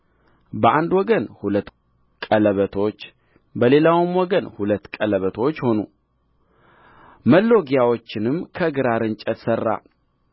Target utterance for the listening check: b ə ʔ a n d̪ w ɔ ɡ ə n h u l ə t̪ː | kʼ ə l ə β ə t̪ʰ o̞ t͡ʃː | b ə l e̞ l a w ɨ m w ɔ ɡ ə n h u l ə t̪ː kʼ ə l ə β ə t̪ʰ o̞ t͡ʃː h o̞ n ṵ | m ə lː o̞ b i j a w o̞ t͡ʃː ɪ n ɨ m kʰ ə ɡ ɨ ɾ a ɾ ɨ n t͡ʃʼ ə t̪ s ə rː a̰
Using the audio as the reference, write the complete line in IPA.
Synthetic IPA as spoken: b ə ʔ a n d̪ w ɔ ɡ ə n h u l ə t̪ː | kʼ ə l ə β ə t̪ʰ o̞ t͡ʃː | b ə l e̞ l a w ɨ m w ɔ ɡ ə n h u l ə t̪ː kʼ ə l ə β ə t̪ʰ o̞ t͡ʃː h o̞ n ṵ | m ə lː o̞ ɡ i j a w o̞ t͡ʃː ɪ n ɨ m kʰ ə ɡ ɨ ɾ a ɾ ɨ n t͡ʃʼ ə t̪ s ə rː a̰

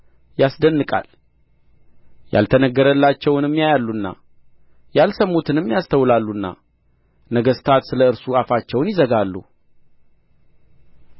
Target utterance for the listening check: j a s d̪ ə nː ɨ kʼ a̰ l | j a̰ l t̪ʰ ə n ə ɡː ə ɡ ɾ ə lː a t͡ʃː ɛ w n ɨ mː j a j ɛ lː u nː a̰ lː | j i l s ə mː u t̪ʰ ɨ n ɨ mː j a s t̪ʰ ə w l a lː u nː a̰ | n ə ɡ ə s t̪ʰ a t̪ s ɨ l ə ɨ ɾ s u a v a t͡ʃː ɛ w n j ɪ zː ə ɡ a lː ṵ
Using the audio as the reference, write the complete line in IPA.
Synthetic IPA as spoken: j a s d̪ ə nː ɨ kʼ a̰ l | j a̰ l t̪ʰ ə n ə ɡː ə ɾ ə lː a t͡ʃː ɛ w n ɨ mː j a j a lː u nː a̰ | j a l s ə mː u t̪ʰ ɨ n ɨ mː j a s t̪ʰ ə w l a lː u nː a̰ | n ə ɡ ə s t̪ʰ a t̪ s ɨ l ə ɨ ɾ s u a f a t͡ʃː ɛ w n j ɪ z ə ɡ a lː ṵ

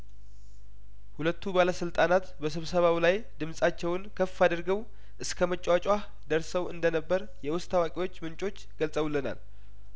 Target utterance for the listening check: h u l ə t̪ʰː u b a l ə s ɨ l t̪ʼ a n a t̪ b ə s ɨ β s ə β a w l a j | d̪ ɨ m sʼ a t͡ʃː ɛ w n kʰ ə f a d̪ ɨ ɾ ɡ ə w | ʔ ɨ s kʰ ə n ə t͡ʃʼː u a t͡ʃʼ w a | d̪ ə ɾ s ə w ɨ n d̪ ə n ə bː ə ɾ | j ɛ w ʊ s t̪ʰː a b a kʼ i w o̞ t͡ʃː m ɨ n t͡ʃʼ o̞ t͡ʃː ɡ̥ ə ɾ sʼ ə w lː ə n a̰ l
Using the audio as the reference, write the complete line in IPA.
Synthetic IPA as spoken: h u l ə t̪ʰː u b a l ə s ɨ l t̪ʼ a n a t̪ b ə s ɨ β s ə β a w l a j | d̪ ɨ m sʼ a t͡ʃː ɛ w n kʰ ə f a d̪ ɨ ɾ ɡ ə w | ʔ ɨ s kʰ ə m ə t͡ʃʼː w a t͡ʃʼ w a | d̪ ə ɾ s ə w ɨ n d̪ ə n ə bː ə ɾ | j ɛ w ʊ s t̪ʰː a w a kʼ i w o̞ t͡ʃː m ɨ n t͡ʃʼ o̞ t͡ʃː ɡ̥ ə l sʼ ə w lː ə n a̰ l

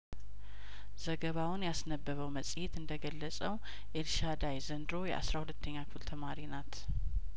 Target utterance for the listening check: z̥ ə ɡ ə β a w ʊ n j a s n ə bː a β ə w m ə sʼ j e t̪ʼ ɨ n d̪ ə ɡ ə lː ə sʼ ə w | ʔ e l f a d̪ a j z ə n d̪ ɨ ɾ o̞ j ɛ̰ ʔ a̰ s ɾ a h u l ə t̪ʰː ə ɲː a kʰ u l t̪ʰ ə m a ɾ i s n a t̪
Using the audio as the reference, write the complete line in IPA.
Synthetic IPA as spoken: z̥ ə ɡ ə β a w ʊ n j a s n ə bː ə β ə w m ə sʼ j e t̪ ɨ n d̪ ə ɡ ə lː ə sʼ ə w | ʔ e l ʃ a d̪ a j z ə n d̪ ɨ ɾ o̞ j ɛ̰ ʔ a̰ s ɾ a h u l ə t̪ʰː ə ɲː a kʰ u l t̪ʰ ə m a ɾ i n a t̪

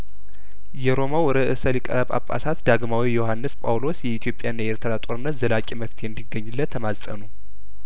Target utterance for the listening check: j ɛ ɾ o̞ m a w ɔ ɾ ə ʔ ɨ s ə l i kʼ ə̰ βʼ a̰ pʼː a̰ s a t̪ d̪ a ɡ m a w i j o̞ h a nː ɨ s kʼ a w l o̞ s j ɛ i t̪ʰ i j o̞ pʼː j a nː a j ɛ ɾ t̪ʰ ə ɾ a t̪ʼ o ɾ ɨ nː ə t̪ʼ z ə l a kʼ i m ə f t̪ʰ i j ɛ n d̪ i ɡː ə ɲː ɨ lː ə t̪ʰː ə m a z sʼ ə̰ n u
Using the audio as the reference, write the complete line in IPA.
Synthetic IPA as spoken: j ɛ ɾ o̞ m a w ɔ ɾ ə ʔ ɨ s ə l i kʼ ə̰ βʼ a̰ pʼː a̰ s a t̪ d̪ a ɡ m a w i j o̞ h a nː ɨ s pʼ a w l o̞ s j ɛ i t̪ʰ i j o̞ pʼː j a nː a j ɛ ɾ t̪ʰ ə ɾ a t̪ʼ o ɾ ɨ nː ə t̪ z ə l a kʼ i m ə f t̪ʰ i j ɛ n d̪ i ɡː ə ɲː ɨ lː ə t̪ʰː ə m a z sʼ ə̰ n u

